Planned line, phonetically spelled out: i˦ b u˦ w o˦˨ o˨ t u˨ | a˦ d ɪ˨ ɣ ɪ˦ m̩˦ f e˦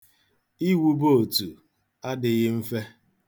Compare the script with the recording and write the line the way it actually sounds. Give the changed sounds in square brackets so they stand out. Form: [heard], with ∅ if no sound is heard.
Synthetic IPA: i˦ [w] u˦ [b] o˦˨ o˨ t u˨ | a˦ d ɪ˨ ɣ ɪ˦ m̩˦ f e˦